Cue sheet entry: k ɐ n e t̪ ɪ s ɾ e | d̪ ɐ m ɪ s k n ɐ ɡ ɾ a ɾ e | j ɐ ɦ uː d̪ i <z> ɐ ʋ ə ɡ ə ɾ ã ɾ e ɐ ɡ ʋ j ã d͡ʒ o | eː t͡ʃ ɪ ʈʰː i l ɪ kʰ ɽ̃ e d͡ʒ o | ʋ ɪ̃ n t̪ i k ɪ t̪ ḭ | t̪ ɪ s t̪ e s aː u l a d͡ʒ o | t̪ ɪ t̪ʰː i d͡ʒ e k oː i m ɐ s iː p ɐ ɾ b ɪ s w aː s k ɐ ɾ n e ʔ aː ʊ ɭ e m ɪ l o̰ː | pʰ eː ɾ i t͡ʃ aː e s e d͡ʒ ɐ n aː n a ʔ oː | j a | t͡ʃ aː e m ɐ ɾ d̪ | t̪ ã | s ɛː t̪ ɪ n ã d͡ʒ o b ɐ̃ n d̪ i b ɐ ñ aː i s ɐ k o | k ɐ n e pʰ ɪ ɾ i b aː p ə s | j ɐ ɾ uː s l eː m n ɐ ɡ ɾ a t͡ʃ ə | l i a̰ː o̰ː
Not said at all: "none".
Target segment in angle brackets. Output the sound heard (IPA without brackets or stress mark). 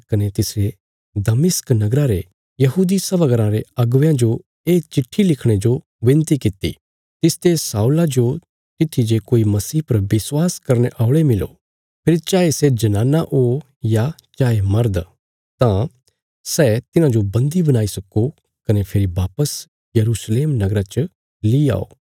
s